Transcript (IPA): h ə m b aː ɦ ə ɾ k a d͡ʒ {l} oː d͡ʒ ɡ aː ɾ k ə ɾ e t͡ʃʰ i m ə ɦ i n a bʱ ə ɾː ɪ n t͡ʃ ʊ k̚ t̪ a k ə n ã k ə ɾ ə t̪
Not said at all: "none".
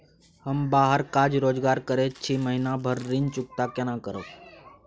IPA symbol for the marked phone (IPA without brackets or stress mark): ɾ